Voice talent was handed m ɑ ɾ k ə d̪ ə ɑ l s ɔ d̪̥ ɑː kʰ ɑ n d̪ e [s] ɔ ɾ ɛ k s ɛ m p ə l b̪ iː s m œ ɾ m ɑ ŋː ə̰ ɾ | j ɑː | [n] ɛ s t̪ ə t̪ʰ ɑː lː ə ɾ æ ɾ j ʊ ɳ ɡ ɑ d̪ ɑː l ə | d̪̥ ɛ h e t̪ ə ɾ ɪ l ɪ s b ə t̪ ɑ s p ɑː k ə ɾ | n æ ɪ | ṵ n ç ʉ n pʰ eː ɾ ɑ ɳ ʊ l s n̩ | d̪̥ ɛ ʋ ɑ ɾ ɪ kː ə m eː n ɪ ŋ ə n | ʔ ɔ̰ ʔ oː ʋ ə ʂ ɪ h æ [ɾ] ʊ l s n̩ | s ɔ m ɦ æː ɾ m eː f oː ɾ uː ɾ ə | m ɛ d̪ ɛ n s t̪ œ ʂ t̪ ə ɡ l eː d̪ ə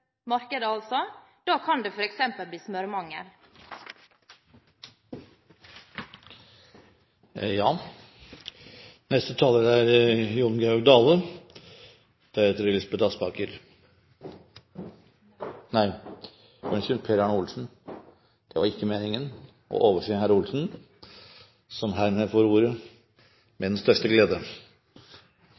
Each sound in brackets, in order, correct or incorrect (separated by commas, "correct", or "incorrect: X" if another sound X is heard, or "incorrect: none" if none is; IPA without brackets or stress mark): incorrect: f, correct, correct